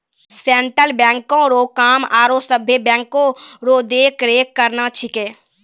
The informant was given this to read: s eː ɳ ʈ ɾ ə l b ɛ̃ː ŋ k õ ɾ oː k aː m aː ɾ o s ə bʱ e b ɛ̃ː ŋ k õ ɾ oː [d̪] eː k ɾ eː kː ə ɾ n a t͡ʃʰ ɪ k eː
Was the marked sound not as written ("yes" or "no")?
no